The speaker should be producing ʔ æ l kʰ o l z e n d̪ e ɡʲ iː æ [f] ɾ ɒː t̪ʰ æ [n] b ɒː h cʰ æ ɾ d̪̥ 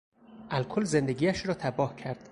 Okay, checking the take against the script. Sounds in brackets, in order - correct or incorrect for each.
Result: incorrect: ʃ, incorrect: none

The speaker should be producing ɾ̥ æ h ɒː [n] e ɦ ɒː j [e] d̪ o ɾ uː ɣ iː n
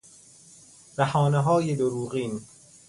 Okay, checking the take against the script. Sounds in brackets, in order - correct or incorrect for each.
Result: correct, correct

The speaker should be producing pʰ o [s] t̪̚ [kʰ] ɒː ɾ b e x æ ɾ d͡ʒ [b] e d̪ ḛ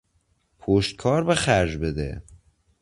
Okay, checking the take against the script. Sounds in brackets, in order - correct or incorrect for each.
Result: incorrect: ʃ, correct, correct

